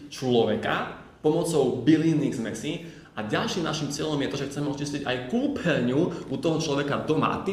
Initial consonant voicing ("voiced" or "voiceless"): voiceless